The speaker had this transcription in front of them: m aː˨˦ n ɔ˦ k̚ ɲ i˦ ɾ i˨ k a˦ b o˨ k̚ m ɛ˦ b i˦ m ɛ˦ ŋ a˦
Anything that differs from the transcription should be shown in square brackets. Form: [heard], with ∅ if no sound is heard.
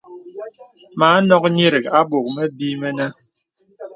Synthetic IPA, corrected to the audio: m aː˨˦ n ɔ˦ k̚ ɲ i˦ ɾ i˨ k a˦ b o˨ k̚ m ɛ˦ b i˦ m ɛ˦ [n] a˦